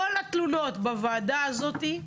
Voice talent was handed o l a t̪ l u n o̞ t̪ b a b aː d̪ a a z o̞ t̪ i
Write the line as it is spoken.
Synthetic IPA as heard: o l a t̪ l u n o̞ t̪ b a v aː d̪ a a z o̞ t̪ i